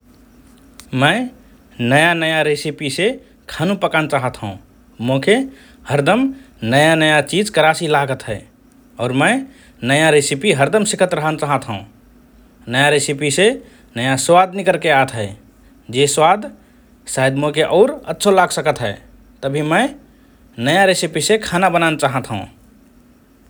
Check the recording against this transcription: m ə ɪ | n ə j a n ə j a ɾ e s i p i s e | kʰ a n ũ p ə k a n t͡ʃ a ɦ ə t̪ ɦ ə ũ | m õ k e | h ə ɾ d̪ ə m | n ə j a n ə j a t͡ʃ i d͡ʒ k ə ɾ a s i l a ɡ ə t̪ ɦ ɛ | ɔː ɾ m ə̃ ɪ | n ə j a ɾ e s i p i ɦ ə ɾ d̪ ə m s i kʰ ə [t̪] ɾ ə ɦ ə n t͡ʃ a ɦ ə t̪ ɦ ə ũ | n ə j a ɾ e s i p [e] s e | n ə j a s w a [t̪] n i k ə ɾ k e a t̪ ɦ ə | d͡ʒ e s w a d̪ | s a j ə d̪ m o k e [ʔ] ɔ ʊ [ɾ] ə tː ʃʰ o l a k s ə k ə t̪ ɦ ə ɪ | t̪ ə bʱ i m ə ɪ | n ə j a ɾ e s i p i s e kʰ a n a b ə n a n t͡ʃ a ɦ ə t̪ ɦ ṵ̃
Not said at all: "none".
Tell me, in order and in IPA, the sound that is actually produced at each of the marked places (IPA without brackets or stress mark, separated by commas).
t̪, i, d̪, ʔ, ɾ